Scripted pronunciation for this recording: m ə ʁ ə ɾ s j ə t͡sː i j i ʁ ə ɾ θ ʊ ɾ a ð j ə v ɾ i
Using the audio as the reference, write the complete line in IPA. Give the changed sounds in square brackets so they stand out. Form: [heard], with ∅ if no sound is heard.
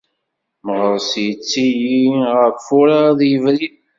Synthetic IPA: m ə ʁ ə ɾ s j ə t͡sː i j i ʁ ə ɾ [f] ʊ ɾ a ð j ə v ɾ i